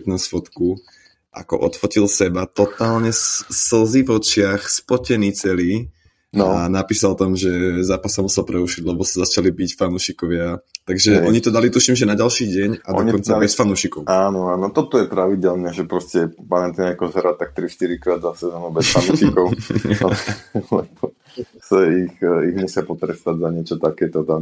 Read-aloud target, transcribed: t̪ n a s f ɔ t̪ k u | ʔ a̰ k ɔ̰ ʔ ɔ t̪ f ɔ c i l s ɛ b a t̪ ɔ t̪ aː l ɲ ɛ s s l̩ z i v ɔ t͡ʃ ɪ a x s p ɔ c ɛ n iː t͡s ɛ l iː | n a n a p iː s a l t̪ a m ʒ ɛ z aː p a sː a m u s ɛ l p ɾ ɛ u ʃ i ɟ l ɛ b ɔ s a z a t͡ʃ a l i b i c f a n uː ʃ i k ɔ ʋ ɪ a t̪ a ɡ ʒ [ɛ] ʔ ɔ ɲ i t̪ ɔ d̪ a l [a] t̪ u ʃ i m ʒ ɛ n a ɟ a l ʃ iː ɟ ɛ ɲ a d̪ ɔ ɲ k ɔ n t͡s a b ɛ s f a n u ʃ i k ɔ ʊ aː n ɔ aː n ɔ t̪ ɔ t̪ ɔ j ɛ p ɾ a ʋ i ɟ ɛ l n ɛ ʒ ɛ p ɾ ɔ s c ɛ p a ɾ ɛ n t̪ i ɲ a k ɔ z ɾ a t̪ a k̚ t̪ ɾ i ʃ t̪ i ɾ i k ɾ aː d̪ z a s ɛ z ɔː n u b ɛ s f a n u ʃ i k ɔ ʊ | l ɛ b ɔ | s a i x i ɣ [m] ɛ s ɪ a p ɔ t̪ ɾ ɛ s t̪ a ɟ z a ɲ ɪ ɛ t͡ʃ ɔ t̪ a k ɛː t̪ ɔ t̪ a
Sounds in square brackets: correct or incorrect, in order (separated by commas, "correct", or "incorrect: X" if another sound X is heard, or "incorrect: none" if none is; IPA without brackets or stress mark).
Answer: correct, incorrect: i, incorrect: ɲ